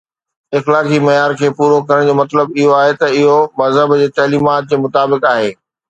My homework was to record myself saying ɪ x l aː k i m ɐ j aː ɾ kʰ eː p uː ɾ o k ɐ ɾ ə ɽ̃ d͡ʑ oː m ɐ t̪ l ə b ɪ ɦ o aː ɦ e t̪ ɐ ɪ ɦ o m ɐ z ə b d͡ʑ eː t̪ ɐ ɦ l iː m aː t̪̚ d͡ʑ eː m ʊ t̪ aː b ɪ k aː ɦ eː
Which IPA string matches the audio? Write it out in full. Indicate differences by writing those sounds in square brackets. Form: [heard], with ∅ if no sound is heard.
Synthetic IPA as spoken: ɪ x l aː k i m ɐ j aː ɾ kʰ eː p uː ɾ o k ɐ ɾ ə ɽ̃ d͡ʑ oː m ɐ t̪ l ə b ɪ ɦ o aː ɦ e t̪ ɐ ɪ ɦ o m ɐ z ə b d͡ʑ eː t̪ ɐ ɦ l iː m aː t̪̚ d͡ʑ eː m ʊ t̪ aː b ɪ k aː ɦ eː